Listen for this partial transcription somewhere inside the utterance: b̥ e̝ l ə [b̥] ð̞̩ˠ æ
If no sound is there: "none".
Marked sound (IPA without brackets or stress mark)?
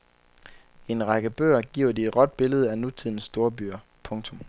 none